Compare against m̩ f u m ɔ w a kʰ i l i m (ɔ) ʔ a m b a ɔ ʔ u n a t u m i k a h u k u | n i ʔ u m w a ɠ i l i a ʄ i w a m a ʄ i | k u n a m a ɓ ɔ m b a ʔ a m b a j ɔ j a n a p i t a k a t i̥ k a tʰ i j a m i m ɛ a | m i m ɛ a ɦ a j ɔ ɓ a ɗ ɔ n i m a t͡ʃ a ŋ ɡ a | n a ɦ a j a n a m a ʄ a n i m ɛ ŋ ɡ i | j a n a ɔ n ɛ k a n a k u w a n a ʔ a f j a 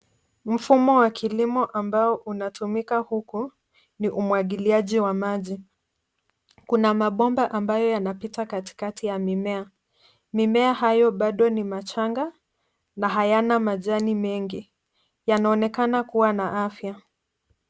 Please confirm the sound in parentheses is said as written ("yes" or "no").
yes